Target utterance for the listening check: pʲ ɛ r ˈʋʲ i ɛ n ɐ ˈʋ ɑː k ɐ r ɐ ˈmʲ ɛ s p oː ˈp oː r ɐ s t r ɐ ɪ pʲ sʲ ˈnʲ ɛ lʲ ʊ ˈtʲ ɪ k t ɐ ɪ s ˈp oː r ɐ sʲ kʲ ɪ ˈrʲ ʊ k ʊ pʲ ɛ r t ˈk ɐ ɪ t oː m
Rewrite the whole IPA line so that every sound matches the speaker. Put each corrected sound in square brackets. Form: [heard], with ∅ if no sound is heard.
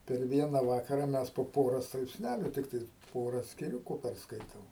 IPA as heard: pʲ ɛ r ˈʋʲ i ɛ n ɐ ˈʋ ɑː k ɐ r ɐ ˈmʲ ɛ s p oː ˈp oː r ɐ s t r ɐ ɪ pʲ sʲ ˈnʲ [æ] lʲ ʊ ˈtʲ ɪ k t ɐ ɪ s ˈp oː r ɐ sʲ kʲ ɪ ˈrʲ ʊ k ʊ pʲ ɛ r [s] ˈk ɐ ɪ t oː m